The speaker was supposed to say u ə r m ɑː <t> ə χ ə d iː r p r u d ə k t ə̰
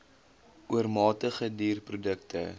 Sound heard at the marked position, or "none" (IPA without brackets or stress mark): t